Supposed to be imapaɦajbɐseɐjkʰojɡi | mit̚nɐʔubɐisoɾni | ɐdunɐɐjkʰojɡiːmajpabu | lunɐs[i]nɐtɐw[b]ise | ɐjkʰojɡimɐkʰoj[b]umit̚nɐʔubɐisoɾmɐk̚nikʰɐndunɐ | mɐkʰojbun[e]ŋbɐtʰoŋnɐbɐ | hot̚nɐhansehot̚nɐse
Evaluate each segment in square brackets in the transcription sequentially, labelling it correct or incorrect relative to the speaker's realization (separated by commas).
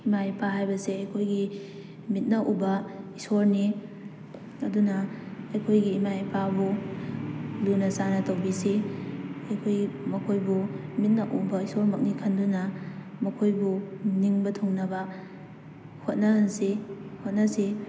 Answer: incorrect, correct, correct, incorrect